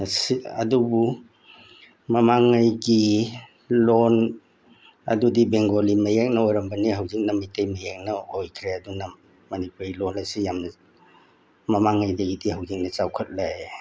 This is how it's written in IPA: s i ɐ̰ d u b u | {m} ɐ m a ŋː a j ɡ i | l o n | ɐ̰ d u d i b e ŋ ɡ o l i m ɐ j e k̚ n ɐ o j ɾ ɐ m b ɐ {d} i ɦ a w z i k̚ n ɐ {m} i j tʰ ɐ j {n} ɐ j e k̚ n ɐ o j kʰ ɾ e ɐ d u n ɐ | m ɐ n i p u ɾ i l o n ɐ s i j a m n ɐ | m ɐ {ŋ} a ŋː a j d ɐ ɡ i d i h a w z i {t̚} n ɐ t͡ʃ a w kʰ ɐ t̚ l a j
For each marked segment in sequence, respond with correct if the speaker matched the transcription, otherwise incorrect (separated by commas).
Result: correct, incorrect, correct, incorrect, incorrect, incorrect